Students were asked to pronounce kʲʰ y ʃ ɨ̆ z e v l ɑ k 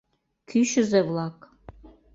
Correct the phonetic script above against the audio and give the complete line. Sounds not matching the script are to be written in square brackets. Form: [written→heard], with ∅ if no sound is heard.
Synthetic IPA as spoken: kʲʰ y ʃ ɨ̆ z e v l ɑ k